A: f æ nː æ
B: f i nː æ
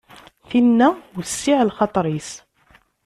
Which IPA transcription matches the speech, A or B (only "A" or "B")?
B